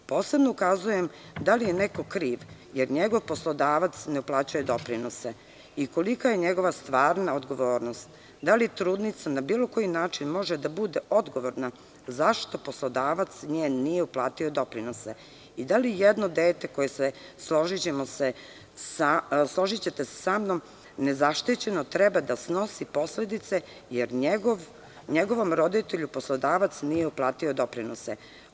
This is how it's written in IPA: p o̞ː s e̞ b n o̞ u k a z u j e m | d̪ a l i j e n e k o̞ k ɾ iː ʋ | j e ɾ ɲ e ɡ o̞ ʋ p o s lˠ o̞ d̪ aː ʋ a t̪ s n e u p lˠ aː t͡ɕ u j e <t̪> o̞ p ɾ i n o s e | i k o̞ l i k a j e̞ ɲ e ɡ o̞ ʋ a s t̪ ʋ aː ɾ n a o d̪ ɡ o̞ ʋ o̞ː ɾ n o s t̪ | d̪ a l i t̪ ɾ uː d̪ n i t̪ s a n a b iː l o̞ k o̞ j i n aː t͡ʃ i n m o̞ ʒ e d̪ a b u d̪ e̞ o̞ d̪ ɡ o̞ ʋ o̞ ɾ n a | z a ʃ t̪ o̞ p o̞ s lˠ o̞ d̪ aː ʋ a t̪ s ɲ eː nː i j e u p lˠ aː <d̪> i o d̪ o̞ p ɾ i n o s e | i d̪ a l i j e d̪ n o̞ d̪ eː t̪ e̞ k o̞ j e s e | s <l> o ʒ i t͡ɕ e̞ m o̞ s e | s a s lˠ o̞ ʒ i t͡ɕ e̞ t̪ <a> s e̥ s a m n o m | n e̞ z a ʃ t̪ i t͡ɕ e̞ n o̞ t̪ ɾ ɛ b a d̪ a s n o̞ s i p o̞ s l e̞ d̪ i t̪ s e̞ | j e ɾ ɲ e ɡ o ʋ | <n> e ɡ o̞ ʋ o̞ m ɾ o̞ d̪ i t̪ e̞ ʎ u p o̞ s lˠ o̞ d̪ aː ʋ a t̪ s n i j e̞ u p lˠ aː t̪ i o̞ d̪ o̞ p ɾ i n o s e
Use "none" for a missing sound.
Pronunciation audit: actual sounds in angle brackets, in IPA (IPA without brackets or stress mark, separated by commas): d̪, t̪, l, e, ɲ